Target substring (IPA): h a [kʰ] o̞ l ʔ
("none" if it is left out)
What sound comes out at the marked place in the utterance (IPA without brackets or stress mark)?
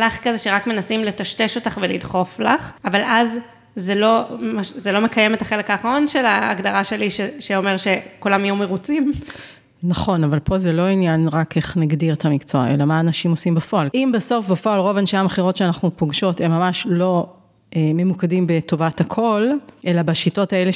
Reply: kʰ